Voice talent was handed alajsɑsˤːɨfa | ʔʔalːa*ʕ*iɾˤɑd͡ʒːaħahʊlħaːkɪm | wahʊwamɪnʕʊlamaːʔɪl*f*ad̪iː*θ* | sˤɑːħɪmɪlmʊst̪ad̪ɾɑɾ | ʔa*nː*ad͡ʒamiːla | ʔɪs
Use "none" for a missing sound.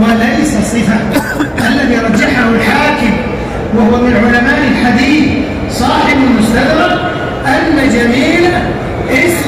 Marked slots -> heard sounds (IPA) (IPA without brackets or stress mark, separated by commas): ð, ħ, θ, nː